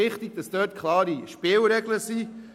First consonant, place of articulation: uvular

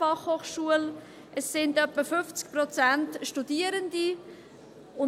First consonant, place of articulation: uvular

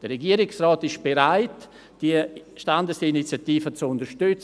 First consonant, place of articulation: alveolar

